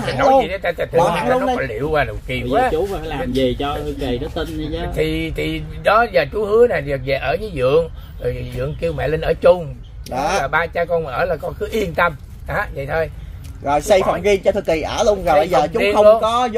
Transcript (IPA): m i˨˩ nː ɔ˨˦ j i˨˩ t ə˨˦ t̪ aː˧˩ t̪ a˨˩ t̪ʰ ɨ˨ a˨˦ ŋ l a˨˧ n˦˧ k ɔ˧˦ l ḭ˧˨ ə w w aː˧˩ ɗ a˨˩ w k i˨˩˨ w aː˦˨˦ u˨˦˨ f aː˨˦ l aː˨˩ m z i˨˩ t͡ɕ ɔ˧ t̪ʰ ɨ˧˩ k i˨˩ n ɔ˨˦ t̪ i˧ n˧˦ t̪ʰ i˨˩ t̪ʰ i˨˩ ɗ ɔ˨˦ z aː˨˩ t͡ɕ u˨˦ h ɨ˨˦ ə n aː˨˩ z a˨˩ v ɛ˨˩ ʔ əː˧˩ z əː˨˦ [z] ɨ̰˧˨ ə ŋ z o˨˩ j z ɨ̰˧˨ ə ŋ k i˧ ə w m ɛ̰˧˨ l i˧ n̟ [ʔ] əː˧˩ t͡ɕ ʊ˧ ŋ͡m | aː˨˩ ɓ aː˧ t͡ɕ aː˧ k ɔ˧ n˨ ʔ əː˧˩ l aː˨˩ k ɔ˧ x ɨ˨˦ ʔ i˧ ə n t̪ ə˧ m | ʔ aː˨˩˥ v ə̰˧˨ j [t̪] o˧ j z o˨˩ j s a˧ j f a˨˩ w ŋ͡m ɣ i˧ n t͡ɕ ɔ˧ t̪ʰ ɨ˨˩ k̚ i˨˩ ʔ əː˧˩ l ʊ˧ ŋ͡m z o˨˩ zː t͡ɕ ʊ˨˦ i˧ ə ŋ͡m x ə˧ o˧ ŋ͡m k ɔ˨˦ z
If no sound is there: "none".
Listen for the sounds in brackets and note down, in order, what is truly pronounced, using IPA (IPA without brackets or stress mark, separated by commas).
z, ʔ, t̪ʰ